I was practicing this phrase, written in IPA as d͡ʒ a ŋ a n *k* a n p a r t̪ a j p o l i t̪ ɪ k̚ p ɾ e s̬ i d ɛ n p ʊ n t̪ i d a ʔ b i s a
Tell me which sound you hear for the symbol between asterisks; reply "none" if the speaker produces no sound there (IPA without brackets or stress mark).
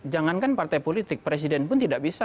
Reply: k